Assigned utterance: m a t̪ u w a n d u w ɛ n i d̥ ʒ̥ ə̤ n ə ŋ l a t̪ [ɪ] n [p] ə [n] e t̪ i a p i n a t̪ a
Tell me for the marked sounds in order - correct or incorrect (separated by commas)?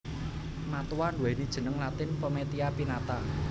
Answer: correct, correct, incorrect